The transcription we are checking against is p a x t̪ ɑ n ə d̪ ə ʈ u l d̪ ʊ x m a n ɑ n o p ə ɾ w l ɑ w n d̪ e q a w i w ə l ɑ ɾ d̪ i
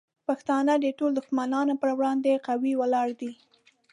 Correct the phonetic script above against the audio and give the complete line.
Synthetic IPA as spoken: p a x t̪ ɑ n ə d̪ ə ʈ o l d̪ ʊ x m a n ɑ n o p ə ɾ w ɽ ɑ n d̪ e q a w i w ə l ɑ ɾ d̪ i